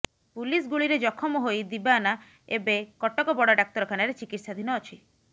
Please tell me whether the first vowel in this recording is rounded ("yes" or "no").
yes